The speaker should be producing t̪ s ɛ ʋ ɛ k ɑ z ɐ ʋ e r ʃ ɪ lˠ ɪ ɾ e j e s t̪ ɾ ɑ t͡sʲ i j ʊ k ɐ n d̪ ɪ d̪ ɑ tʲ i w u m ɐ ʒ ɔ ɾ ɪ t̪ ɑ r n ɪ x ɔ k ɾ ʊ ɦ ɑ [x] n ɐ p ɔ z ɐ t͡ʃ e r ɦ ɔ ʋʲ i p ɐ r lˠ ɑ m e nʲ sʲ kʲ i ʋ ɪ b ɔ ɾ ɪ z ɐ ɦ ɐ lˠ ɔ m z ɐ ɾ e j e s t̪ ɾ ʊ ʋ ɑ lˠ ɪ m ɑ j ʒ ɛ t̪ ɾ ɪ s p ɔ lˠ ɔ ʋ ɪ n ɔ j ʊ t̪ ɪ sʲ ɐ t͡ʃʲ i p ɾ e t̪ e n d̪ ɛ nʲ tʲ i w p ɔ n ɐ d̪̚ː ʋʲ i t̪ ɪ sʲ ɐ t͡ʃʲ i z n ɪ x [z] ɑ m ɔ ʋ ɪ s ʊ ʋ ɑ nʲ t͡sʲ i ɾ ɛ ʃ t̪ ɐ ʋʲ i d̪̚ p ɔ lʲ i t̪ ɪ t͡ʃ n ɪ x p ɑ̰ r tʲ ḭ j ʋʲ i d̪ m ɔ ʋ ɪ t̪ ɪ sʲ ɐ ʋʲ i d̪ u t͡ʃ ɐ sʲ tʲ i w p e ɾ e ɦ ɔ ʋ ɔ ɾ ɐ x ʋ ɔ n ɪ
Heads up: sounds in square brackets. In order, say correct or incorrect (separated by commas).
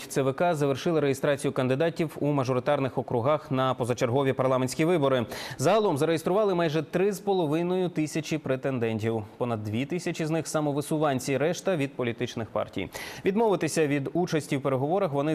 correct, incorrect